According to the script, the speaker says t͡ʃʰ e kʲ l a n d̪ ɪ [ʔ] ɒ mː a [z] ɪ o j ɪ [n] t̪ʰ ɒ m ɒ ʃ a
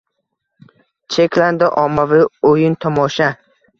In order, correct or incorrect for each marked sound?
correct, incorrect: v, correct

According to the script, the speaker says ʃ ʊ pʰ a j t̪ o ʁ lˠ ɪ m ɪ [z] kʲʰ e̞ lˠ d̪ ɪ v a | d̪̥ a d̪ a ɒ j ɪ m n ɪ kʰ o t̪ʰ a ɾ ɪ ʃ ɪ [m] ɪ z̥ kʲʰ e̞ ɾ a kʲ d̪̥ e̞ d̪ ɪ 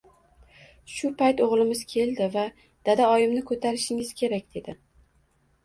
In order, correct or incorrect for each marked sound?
correct, incorrect: ŋ

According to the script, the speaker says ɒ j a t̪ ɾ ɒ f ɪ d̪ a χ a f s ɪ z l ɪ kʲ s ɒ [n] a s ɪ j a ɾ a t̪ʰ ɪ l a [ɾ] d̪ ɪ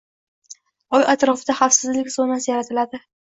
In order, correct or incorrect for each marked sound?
correct, incorrect: none

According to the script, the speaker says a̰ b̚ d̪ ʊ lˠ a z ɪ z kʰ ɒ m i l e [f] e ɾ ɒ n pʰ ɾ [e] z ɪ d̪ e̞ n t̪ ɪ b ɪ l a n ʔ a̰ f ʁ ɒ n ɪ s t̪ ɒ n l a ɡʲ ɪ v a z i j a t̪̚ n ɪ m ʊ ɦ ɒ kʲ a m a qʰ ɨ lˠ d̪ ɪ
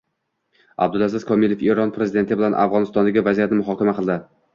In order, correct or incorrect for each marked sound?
correct, correct

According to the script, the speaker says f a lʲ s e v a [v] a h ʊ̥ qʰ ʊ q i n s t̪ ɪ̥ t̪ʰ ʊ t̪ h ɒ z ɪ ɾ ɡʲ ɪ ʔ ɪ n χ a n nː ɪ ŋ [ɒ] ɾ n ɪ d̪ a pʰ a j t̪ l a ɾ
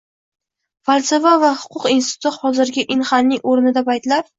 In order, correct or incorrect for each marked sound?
correct, incorrect: o

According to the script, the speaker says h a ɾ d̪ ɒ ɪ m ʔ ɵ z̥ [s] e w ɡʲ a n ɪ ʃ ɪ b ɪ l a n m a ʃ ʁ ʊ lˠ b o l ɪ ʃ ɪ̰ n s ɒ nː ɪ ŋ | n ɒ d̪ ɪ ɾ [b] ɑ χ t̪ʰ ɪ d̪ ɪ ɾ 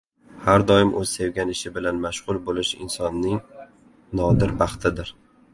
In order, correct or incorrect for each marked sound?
correct, correct

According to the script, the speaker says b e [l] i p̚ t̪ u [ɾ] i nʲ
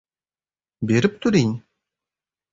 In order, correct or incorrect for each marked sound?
incorrect: ɾ, correct

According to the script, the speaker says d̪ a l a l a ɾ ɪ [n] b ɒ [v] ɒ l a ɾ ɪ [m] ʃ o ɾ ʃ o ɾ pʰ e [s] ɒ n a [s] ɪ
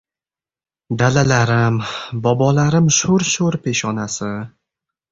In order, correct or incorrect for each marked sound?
incorrect: m, incorrect: b, correct, incorrect: ʃ, correct

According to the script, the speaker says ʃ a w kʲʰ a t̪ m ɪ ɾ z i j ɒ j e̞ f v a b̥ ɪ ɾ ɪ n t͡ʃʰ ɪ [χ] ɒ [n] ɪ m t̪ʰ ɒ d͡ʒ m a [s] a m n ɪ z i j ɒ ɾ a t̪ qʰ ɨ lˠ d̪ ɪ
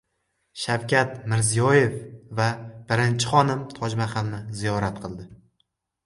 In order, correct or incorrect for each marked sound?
correct, correct, incorrect: χ

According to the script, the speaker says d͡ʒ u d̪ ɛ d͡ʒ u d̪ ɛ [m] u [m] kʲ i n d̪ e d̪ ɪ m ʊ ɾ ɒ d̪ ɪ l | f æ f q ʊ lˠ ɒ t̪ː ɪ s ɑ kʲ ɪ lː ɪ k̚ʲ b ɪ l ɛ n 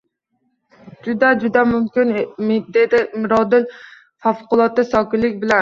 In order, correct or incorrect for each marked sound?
correct, correct

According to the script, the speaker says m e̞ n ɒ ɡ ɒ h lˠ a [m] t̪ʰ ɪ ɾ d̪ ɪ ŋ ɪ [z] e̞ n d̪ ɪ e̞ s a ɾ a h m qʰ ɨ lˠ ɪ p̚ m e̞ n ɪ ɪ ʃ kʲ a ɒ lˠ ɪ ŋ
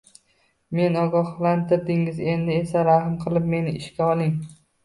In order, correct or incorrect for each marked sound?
incorrect: n, correct

